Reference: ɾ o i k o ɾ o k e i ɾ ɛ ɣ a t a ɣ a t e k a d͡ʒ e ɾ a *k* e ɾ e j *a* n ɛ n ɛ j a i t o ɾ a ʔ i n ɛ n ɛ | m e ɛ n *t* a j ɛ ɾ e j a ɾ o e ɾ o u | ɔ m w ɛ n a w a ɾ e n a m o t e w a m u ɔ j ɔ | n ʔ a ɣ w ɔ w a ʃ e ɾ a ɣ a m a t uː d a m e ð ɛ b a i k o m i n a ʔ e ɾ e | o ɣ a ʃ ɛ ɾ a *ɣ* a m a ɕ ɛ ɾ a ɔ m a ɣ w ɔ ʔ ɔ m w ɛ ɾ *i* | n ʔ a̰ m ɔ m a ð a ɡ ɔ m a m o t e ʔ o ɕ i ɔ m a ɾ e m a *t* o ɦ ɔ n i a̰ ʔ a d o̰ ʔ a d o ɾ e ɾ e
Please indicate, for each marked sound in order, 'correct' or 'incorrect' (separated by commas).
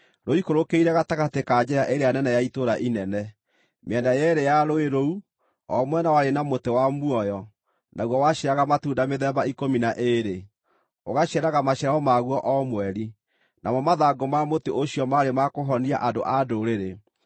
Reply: incorrect, correct, incorrect, correct, correct, incorrect